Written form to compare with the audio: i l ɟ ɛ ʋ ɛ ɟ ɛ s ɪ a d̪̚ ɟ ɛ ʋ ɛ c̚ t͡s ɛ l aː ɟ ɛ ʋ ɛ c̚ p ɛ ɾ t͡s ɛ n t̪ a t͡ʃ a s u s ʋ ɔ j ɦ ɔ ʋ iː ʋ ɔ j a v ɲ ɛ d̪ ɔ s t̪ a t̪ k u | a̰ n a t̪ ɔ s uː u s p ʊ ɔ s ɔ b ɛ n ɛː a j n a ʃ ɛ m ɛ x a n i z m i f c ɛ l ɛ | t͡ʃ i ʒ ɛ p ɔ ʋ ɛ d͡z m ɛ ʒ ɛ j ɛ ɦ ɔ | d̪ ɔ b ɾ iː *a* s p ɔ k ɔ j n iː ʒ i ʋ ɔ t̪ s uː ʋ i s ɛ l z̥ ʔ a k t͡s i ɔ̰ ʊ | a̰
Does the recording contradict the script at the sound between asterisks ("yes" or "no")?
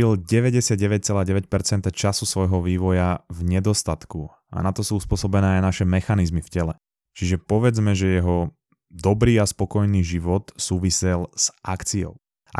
no